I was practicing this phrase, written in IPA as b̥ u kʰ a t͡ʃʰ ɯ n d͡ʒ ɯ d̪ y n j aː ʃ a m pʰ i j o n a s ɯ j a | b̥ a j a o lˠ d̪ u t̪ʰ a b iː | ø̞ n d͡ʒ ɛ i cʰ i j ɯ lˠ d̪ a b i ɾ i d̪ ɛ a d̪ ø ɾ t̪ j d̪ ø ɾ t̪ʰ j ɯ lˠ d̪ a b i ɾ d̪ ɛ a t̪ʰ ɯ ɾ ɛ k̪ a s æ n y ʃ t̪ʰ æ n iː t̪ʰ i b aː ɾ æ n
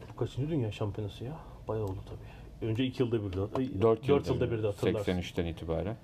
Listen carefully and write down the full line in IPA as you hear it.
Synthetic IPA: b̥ u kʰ a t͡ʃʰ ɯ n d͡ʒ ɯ d̪ y n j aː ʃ a m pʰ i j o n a s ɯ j a | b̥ a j a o lˠ d̪ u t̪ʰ a b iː | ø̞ n d͡ʒ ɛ i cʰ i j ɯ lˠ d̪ a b i ɾ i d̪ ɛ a d̪ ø ɾ t̪ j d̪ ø ɾ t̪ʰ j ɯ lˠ d̪ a b i ɾ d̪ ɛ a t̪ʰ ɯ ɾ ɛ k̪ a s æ n y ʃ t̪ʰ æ n iː t̪ʰ i b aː ɾ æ n